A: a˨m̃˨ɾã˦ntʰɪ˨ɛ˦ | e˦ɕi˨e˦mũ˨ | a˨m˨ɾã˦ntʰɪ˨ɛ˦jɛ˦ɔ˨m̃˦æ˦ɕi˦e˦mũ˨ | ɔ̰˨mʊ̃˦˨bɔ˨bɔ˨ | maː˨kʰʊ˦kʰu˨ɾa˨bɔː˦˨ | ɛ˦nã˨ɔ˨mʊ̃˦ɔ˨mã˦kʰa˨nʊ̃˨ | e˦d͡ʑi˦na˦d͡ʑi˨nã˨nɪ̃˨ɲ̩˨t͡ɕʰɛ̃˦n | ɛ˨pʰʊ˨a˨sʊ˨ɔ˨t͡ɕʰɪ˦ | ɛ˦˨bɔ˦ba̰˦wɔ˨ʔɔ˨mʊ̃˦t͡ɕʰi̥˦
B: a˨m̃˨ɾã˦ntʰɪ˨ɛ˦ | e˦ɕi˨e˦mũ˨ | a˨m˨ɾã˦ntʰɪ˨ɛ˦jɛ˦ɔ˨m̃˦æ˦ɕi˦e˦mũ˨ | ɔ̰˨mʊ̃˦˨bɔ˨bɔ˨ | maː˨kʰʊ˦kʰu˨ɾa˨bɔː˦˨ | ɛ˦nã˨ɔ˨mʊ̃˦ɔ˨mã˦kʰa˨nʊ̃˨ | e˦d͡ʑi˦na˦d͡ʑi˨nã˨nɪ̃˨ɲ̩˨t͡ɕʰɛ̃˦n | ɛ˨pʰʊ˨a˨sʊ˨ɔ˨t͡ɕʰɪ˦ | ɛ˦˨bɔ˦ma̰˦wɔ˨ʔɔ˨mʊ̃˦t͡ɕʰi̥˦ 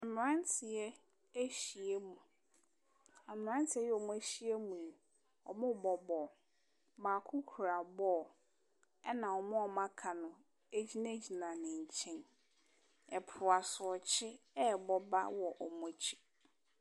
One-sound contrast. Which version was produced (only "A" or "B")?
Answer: A